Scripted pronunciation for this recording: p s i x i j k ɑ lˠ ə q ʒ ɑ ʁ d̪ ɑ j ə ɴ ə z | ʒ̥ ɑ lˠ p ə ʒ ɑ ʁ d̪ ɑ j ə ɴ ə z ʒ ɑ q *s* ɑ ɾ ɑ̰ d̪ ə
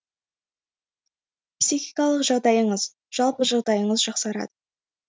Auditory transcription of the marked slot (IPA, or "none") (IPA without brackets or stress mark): s